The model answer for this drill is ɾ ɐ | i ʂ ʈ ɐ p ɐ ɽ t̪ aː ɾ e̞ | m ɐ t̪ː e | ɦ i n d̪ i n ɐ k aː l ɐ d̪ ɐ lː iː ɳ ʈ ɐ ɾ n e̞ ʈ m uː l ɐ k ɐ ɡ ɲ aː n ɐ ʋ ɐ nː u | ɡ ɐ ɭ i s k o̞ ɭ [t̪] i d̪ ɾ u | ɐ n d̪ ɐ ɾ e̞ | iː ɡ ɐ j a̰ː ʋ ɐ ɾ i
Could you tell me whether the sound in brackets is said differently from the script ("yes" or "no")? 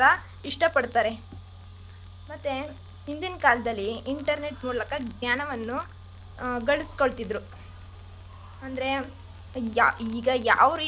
no